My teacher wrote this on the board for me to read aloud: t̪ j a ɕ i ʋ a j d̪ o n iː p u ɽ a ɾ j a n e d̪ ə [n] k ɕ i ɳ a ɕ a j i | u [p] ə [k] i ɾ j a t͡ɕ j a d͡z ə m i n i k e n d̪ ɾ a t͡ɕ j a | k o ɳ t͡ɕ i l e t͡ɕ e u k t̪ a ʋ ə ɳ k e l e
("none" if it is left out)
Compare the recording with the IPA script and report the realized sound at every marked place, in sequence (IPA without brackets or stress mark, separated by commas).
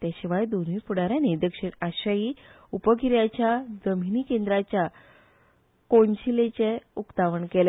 none, p, k